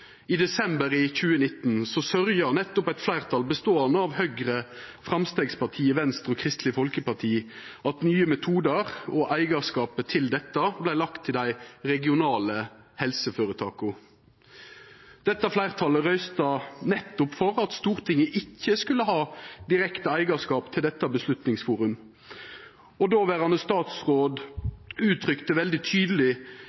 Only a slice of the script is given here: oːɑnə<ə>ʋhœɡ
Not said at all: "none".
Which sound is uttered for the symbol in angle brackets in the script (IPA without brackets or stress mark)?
ɑ